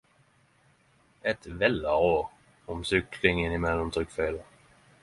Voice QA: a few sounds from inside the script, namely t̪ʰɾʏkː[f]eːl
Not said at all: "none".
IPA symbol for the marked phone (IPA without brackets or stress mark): f